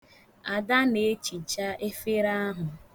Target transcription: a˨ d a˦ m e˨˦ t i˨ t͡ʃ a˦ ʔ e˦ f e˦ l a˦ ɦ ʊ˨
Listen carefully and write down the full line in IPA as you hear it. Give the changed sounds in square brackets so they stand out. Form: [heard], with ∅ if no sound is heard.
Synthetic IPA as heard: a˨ d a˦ [n] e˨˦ [t͡ʃ] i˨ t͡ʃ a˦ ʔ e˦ f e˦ [ɾ] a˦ ɦ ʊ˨